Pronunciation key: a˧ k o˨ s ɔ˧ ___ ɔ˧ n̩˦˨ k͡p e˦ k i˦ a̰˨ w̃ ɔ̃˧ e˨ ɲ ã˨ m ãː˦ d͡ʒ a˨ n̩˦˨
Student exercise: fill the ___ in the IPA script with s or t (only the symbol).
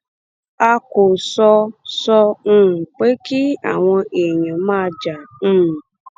s